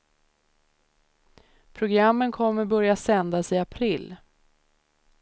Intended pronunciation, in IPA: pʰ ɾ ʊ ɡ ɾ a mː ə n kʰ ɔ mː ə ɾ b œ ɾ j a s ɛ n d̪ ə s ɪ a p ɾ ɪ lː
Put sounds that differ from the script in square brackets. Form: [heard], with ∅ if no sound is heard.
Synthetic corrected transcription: pʰ ɾ ʊ ɡ ɾ a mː ə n kʰ ɔ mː ə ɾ b œ ɾ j a s ɛ n d̪ [a] s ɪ a [pʰ] ɾ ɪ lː